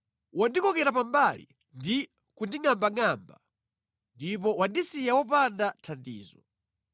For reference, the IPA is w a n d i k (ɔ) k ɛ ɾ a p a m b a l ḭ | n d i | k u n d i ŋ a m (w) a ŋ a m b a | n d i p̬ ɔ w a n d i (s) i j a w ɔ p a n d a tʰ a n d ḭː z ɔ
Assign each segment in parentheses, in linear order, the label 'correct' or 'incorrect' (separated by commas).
correct, incorrect, correct